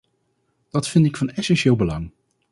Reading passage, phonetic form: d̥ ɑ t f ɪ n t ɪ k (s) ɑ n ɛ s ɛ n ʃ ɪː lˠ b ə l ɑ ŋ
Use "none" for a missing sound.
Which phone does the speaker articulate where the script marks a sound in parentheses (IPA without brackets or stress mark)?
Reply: f